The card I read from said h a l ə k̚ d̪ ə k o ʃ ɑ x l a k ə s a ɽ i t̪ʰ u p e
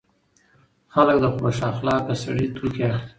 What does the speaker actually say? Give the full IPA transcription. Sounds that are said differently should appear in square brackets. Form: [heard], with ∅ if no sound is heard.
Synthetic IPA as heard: [x] a l ə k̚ d̪ ə [x] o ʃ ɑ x l [ɑ] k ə s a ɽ i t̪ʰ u [k] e